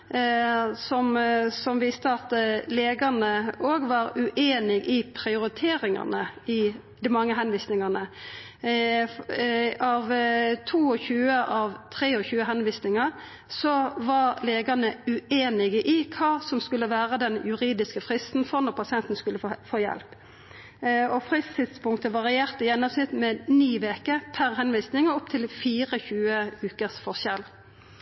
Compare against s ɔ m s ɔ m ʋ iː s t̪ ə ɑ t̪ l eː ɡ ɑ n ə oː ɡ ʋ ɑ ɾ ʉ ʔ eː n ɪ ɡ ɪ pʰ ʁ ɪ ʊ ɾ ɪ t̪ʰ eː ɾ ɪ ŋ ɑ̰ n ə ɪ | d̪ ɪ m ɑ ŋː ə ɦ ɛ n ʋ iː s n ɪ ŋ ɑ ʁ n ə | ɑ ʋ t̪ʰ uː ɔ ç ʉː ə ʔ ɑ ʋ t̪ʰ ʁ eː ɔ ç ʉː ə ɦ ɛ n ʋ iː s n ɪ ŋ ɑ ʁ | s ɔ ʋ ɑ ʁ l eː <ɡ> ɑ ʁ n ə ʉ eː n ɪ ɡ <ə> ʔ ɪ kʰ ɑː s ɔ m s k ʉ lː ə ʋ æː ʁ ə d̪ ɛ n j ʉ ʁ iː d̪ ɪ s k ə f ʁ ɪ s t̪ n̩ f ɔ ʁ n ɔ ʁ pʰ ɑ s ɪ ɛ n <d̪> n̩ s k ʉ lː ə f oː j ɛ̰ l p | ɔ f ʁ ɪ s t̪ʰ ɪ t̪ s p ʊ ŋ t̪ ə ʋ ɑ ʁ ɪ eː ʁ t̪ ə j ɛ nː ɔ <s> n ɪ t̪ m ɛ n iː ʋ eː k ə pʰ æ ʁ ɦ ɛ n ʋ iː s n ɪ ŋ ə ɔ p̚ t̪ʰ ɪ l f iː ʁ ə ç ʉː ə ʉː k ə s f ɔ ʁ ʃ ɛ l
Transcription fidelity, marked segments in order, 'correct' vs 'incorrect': correct, correct, incorrect: t̪, correct

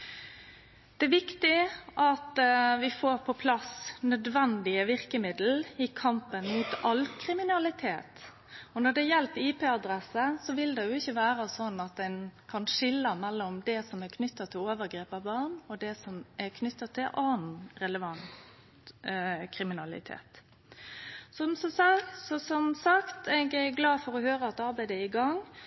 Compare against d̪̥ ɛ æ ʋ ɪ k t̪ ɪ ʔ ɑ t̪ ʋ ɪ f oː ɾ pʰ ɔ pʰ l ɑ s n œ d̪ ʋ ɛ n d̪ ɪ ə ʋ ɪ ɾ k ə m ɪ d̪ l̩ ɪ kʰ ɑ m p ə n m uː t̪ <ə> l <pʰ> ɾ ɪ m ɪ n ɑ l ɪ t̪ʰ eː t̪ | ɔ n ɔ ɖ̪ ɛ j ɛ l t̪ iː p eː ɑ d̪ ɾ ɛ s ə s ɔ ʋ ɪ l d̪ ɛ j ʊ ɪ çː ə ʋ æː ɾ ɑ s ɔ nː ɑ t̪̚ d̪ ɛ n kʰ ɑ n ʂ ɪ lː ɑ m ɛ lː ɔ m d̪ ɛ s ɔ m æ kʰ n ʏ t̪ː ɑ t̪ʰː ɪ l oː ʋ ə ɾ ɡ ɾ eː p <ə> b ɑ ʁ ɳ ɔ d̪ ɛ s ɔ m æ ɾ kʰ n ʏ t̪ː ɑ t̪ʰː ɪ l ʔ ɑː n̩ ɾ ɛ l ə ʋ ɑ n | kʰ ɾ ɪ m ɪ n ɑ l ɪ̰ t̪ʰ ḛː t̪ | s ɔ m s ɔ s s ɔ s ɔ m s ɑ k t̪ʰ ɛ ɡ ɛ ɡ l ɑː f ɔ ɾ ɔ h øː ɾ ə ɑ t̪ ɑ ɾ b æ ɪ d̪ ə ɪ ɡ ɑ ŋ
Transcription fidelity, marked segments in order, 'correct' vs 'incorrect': incorrect: ɑ, incorrect: kʰ, incorrect: ɑ

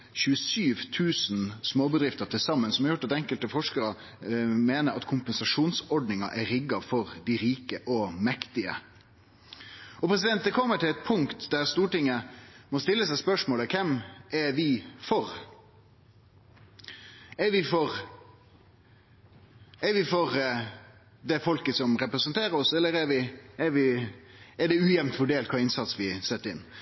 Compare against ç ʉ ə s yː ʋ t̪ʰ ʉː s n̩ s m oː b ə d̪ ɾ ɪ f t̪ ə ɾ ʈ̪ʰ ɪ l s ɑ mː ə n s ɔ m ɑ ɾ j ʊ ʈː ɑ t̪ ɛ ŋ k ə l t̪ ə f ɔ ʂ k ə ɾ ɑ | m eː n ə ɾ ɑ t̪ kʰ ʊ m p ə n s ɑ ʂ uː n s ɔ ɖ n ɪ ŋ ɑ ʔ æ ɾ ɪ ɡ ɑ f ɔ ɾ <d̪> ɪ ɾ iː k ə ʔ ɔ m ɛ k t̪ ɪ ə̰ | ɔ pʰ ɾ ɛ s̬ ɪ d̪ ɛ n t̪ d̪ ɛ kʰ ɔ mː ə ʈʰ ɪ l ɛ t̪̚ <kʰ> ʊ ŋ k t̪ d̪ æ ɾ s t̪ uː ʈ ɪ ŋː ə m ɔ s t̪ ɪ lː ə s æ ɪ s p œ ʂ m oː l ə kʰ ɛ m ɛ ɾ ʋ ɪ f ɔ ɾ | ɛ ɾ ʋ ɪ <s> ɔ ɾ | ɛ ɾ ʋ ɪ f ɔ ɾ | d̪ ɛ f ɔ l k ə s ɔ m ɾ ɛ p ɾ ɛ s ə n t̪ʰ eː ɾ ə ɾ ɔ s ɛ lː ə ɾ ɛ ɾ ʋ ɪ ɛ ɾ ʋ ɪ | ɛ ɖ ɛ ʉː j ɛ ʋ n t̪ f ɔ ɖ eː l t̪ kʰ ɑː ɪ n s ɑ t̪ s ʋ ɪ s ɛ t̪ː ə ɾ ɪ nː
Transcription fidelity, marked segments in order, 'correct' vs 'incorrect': correct, incorrect: pʰ, incorrect: f

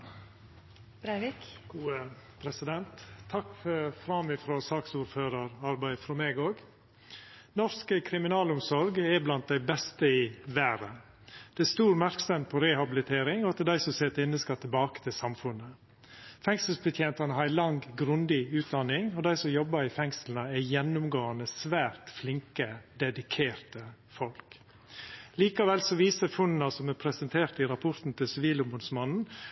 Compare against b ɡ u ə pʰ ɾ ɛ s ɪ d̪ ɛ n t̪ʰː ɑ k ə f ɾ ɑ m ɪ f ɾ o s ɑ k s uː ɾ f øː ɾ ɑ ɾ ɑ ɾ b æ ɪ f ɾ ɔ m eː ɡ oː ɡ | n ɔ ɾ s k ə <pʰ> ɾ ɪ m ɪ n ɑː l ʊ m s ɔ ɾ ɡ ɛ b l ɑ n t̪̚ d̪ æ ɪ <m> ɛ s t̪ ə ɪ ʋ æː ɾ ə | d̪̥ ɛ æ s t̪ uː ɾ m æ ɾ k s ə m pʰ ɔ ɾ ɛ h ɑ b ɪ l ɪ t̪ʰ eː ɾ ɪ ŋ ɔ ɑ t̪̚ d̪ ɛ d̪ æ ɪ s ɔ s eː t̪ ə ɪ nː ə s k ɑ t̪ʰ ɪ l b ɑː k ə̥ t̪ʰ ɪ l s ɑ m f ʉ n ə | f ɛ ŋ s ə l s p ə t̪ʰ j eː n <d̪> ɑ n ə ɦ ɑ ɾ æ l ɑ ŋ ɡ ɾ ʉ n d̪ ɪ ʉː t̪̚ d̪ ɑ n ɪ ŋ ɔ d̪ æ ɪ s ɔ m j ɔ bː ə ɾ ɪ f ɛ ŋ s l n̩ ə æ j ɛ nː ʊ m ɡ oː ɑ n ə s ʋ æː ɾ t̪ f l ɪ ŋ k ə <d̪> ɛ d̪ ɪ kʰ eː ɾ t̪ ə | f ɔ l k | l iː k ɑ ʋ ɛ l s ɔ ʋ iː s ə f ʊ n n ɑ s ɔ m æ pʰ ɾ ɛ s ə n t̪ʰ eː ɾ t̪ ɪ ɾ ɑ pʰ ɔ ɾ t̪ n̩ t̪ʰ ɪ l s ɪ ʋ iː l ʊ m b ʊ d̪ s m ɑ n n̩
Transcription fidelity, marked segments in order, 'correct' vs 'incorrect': incorrect: kʰ, incorrect: b, incorrect: t̪, correct

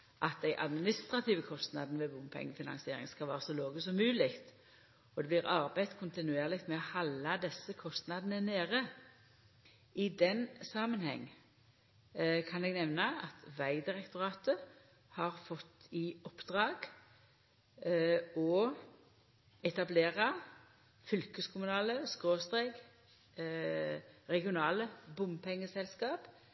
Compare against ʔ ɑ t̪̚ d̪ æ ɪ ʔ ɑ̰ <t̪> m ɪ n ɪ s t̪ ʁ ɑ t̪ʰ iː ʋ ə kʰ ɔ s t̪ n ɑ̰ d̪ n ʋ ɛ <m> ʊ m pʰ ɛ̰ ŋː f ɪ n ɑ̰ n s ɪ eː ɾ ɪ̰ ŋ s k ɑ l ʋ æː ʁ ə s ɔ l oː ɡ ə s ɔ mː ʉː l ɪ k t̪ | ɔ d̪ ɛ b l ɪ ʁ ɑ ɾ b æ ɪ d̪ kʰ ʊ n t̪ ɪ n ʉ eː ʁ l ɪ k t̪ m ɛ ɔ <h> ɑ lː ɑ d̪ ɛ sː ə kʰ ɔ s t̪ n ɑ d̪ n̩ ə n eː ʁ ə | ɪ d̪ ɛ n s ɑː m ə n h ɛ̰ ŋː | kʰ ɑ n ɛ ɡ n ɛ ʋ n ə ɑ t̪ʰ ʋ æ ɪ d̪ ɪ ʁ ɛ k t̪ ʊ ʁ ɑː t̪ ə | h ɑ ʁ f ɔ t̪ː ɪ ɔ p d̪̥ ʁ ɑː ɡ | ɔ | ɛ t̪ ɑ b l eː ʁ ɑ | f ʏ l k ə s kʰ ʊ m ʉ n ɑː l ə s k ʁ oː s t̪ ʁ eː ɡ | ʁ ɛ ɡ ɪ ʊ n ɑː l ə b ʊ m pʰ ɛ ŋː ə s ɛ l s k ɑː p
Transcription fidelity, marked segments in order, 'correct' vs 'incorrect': incorrect: d̪, incorrect: b, correct

